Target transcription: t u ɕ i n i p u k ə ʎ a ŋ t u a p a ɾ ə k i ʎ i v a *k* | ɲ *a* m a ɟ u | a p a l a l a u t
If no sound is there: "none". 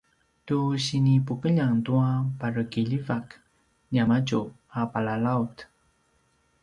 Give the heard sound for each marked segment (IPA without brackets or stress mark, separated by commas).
k, a